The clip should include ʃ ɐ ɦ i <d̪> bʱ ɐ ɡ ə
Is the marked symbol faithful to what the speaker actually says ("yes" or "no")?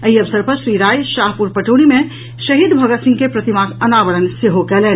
yes